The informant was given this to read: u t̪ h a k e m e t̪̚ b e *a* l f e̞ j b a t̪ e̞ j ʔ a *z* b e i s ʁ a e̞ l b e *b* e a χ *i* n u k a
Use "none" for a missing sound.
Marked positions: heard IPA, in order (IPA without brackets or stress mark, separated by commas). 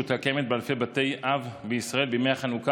a, v, m, a